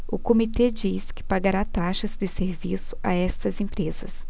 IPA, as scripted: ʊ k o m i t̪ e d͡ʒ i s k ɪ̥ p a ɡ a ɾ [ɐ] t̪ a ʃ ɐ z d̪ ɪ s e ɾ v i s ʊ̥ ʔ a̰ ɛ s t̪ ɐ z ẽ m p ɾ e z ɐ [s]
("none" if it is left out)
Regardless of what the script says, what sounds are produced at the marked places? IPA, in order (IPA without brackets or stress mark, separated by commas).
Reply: a, s